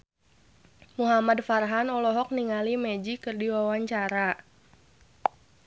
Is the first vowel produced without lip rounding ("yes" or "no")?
no